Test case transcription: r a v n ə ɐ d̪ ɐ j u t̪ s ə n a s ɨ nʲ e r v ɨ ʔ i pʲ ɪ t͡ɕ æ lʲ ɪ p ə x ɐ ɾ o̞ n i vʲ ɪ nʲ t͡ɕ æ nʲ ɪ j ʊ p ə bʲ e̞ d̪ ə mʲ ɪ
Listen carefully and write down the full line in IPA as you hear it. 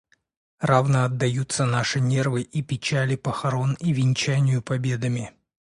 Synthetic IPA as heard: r a v n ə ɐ d̪ː ɐ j u t̪ s ə n a ʂ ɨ nʲ e r v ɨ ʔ i pʲ ɪ t͡ɕ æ lʲ ɪ p ə x ɐ ɾ o̞ n i vʲ ɪ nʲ t͡ɕ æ nʲ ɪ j ʊ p ɐ bʲ e̞ d̪ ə mʲ ɪ